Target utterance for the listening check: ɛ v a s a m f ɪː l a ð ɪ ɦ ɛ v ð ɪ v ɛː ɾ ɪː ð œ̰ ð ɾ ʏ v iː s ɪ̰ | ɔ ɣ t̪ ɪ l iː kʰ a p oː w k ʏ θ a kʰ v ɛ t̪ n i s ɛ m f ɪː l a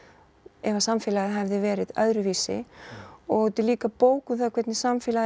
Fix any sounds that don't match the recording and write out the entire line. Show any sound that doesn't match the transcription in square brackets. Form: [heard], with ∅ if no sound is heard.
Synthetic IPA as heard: ɛ v a s a m f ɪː l a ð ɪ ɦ ɛ v ð ɪ v ɛː ɾ [ɪ] ð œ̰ ð ɾ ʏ v iː s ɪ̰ | ɔ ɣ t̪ ɪ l iː [k] a p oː w k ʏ θ a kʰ v ɛ t̪ n [ɪ] s [a] m f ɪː l a